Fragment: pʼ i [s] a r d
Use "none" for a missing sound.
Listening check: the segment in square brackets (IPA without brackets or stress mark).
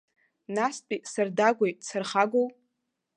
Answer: s